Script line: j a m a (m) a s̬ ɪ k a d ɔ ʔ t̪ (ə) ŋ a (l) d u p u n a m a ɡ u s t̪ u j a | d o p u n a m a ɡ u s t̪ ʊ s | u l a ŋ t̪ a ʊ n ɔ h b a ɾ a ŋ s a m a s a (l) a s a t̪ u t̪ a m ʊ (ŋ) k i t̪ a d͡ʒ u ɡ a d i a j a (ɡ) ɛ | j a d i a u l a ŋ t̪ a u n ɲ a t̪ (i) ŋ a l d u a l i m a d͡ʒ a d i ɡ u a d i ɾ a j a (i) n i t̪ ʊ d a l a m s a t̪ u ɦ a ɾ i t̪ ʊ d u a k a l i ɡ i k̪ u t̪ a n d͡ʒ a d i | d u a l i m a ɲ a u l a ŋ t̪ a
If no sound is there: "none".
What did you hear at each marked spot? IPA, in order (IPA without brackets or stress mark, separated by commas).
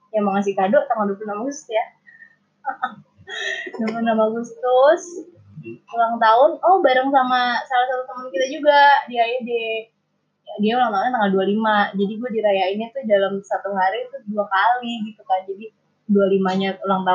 ŋ, a, l, l, n, d, a, i